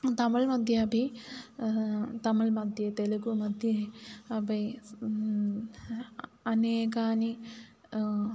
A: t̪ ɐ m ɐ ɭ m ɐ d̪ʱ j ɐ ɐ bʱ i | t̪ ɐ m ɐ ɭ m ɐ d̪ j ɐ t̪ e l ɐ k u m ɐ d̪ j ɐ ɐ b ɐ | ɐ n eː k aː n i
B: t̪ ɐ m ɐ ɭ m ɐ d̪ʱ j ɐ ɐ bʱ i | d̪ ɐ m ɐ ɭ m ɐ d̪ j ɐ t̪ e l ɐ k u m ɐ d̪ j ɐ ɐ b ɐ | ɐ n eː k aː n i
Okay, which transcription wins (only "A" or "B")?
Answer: A